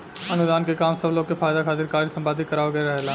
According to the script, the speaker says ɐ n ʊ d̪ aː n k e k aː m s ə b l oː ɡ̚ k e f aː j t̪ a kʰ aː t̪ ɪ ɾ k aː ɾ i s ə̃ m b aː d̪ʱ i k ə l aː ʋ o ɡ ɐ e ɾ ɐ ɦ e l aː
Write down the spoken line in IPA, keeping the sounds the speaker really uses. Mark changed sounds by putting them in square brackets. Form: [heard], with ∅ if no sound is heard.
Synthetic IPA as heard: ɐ n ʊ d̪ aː n k e k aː m s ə b l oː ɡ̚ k e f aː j [d̪] a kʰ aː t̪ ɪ ɾ k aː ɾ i s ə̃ m b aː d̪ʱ i k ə [ɾ] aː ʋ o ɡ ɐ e ɾ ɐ ɦ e l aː